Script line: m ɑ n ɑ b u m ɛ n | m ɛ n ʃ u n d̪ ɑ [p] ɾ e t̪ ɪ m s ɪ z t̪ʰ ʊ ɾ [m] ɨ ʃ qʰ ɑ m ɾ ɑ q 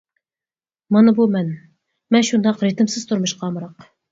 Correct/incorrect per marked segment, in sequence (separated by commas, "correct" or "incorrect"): incorrect, correct